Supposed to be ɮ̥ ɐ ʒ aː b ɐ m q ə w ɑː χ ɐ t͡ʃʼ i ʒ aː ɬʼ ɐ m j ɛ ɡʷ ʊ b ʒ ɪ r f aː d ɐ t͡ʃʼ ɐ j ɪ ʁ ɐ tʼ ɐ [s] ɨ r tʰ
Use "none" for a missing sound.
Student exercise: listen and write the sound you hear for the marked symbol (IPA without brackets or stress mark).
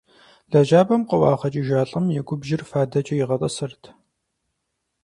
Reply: s